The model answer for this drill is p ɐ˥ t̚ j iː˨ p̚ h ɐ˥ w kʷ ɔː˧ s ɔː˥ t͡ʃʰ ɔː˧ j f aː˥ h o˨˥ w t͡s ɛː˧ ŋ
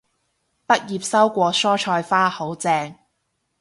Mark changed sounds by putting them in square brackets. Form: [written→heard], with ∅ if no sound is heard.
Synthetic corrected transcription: p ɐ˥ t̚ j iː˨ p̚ [h→s] ɐ˥ w kʷ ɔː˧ s ɔː˥ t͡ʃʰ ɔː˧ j f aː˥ h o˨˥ w t͡s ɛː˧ ŋ